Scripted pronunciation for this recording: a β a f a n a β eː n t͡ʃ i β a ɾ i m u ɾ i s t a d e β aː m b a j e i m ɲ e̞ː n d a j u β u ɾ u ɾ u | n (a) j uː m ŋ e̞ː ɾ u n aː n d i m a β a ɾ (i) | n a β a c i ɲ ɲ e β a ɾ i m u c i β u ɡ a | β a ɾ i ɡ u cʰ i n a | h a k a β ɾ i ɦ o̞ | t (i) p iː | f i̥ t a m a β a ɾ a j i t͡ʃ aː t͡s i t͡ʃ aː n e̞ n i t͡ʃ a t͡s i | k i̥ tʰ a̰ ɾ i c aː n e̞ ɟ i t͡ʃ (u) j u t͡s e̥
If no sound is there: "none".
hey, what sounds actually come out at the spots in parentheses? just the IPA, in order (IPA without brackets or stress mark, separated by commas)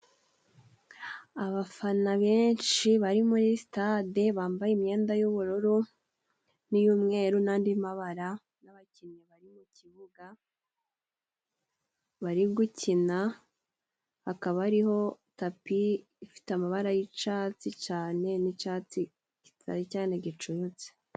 i, a, a, u